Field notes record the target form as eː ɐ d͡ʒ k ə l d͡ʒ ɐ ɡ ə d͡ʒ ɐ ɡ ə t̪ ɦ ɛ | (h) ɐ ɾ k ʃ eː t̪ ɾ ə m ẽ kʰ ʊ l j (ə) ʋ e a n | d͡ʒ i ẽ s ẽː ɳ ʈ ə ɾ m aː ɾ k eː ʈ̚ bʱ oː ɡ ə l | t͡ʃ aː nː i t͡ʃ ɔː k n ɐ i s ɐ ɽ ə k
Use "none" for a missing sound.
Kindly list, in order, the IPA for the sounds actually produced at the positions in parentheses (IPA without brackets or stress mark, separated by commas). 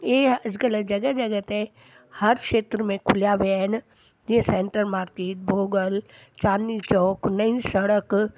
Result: h, a